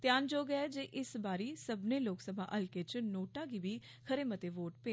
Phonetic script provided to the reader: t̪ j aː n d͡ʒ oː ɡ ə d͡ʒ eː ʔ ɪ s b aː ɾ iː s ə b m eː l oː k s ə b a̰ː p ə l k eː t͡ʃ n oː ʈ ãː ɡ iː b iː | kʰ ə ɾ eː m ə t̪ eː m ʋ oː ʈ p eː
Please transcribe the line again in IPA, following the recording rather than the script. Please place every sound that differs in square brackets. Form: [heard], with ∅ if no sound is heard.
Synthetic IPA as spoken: t̪ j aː n d͡ʒ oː ɡ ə d͡ʒ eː ʔ ɪ s b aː ɾ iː s ə b [n] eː l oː k s ə b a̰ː [ʔ] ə l k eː t͡ʃ n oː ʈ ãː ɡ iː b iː | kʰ ə ɾ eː m ə t̪ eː [∅] ʋ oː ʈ p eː